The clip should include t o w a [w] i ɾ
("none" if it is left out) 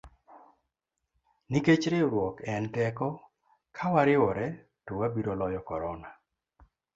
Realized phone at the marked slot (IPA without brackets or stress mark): b